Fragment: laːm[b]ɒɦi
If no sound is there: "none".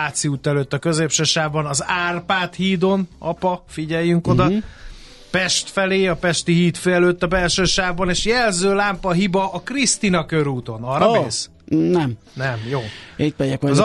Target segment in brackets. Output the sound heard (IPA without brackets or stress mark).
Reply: p